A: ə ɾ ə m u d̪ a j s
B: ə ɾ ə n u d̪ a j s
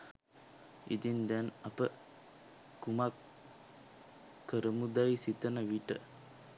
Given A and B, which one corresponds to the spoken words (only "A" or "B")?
A